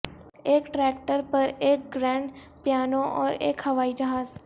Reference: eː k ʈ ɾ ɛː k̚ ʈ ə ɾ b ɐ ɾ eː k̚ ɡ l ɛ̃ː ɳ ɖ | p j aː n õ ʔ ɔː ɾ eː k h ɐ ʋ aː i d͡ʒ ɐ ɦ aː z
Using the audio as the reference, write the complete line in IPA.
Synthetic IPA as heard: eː k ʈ ɾ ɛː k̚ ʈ ə ɾ p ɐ ɾ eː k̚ ɡ ɾ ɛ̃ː ɳ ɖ | p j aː n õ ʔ ɔː ɾ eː k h ɐ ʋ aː i d͡ʒ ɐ ɦ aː z